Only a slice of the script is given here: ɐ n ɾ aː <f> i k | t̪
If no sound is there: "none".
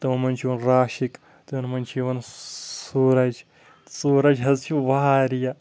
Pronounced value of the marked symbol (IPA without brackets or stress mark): ʃ